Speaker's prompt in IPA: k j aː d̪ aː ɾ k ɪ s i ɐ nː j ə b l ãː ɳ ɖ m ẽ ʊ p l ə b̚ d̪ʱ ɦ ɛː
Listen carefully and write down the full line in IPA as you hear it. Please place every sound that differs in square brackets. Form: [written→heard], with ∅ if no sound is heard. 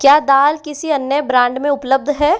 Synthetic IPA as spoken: k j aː d̪ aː [ɾ→l] k ɪ s i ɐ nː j ə b [l→ɾ] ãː ɳ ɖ m ẽ ʊ p l ə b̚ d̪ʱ ɦ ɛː